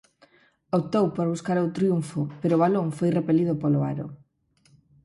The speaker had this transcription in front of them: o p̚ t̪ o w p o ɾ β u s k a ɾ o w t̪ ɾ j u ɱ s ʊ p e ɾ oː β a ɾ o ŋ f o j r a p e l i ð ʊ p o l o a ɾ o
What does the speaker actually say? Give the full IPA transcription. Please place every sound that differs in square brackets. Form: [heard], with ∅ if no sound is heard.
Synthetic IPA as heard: o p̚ t̪ o w p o ɾ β u s k a ɾ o w t̪ ɾ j u ɱ [f] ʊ p e ɾ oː β a [l] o ŋ f o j r [e] p e l i ð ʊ p o l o a ɾ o